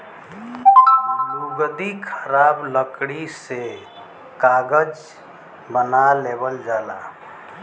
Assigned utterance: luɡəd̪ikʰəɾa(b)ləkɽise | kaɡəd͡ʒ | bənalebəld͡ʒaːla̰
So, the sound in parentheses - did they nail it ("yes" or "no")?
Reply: yes